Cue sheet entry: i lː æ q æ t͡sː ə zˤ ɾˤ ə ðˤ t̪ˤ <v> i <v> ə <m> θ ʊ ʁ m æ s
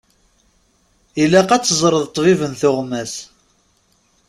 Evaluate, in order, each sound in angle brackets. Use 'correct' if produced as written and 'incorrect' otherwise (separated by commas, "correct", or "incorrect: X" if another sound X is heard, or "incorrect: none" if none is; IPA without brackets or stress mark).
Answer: correct, correct, incorrect: n